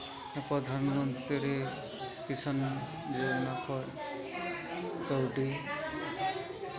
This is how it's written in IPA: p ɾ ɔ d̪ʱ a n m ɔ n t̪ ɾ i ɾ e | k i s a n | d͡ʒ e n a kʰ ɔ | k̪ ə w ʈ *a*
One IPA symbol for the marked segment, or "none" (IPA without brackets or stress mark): i